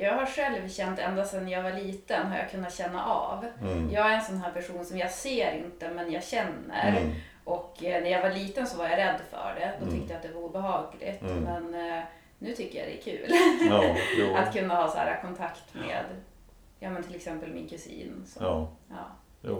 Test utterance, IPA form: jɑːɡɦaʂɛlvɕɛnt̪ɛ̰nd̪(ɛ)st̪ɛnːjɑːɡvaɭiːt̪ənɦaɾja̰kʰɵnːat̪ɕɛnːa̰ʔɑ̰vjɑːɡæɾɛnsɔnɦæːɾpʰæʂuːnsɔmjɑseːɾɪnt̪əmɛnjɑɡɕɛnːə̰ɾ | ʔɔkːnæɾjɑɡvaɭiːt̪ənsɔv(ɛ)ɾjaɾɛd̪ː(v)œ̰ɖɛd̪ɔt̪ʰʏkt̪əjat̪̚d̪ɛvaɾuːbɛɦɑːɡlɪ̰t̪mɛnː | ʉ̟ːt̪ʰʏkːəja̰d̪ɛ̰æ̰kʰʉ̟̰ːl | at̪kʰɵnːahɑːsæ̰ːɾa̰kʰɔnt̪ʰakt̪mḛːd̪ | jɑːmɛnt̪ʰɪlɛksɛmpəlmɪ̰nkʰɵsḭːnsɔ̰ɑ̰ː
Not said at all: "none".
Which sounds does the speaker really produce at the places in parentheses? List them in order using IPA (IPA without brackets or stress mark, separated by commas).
a, a, f